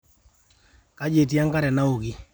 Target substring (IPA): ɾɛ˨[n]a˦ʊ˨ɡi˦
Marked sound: correct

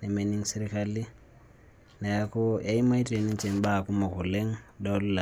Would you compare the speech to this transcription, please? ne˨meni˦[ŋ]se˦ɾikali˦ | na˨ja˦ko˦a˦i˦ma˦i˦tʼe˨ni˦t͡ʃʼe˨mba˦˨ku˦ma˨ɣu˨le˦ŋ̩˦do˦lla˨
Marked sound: correct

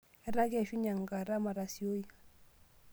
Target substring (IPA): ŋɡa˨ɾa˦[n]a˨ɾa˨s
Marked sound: incorrect: m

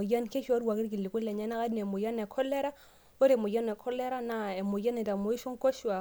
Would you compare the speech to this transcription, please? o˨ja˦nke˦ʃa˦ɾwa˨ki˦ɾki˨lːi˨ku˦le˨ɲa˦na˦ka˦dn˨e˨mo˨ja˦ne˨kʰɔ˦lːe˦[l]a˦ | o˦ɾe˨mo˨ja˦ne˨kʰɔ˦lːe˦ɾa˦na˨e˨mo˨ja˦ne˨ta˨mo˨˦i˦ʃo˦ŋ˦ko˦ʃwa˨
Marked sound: incorrect: ɾ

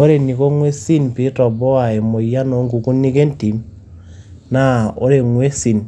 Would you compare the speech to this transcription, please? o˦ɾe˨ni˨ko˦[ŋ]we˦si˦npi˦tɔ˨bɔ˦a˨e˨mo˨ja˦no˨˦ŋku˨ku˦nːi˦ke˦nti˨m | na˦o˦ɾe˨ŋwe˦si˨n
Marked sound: correct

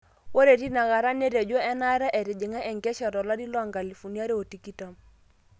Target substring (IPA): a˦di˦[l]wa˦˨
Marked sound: correct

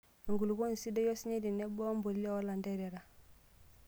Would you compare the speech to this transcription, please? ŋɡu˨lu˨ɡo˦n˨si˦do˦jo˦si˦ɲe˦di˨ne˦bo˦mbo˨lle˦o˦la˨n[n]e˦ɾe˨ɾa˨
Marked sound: incorrect: d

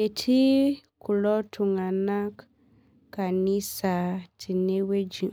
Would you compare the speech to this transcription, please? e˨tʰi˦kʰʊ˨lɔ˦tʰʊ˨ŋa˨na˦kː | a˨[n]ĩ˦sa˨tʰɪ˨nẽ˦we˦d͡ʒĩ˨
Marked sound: correct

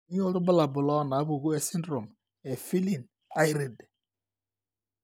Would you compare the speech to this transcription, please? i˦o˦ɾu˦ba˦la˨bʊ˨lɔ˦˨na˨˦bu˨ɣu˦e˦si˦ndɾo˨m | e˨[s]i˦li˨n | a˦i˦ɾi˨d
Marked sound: incorrect: f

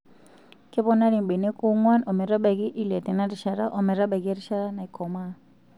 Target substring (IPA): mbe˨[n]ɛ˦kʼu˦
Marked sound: correct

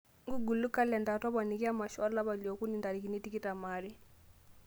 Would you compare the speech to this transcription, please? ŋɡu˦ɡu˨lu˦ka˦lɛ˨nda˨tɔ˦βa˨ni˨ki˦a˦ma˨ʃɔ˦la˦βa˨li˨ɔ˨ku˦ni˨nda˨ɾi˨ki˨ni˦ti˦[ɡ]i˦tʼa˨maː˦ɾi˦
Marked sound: incorrect: k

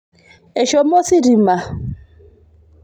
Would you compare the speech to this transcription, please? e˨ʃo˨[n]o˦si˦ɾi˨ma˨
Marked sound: incorrect: m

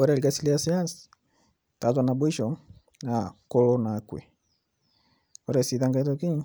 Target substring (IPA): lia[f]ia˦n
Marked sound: incorrect: s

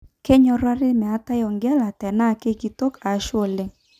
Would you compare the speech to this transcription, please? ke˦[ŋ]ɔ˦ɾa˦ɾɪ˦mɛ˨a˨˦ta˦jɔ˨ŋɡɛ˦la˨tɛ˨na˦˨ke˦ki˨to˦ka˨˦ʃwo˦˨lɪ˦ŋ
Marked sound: incorrect: ɲ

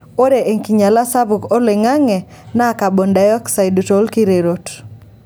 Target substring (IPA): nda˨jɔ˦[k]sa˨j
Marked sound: correct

